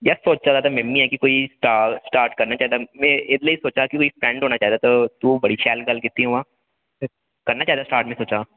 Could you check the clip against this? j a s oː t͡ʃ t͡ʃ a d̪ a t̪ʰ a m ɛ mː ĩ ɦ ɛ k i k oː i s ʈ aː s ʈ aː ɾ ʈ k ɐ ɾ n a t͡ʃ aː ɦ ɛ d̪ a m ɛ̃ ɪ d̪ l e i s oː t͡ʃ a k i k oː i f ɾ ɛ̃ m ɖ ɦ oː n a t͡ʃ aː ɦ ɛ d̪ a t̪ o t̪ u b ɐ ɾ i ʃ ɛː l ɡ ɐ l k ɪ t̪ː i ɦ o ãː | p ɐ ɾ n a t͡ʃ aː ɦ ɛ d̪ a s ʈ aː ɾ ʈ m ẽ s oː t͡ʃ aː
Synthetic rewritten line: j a s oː t͡ʃ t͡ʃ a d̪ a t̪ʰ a m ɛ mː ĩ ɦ ɛ k i k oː i s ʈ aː s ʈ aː ɾ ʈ k ɐ ɾ n a t͡ʃ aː ɦ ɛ d̪ a m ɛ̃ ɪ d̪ l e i s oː t͡ʃ a k i k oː i f ɾ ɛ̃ ɳ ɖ ɦ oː n a t͡ʃ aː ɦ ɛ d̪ a t̪ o t̪ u b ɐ ɽ i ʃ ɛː l ɡ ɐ l k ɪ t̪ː i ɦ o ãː | k ɐ ɾ n a t͡ʃ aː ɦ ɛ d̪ a s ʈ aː ɾ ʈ m ẽ s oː t͡ʃ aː